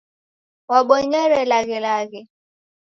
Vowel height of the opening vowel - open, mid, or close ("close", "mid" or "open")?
open